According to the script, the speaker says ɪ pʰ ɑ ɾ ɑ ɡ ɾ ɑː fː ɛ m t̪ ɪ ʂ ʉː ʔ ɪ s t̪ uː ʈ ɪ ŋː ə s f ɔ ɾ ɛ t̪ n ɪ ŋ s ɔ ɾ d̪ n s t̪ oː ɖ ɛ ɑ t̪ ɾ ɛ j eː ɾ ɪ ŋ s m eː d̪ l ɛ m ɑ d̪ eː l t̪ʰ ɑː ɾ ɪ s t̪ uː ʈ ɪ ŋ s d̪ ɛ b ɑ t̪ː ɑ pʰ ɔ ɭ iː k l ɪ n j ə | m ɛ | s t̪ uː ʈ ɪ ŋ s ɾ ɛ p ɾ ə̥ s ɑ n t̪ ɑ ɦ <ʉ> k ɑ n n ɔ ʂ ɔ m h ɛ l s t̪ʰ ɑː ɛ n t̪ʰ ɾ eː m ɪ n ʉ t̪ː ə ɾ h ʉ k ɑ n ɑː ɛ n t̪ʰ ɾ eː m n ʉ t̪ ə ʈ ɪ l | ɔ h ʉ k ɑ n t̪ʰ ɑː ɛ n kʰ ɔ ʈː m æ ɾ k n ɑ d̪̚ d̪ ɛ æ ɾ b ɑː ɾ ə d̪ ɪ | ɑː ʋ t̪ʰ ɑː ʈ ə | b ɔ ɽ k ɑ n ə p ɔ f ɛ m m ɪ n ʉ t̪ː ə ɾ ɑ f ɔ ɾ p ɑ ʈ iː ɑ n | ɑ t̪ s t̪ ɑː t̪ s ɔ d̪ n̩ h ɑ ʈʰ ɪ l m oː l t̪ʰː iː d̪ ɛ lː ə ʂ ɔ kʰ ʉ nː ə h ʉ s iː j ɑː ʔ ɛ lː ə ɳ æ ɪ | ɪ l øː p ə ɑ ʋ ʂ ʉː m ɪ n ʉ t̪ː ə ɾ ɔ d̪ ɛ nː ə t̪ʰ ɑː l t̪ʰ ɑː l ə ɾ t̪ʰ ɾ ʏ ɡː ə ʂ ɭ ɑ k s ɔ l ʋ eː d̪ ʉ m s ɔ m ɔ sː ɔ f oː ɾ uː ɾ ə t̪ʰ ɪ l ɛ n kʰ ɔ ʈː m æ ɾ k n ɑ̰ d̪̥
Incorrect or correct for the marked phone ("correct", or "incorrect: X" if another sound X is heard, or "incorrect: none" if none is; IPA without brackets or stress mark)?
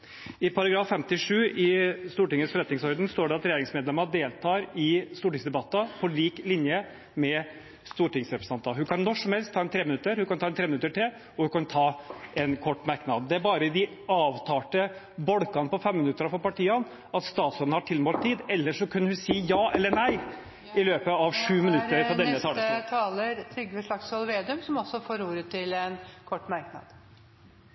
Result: correct